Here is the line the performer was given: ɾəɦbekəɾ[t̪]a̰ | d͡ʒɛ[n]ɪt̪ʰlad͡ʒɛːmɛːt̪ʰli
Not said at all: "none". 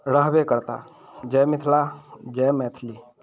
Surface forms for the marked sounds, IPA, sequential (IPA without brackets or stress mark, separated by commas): t̪, m